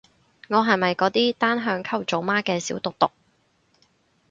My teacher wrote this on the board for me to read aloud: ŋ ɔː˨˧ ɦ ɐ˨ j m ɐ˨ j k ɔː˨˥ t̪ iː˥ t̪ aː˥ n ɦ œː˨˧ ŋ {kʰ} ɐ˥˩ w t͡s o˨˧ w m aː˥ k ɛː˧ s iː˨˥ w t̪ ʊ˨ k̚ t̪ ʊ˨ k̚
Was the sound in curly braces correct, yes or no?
yes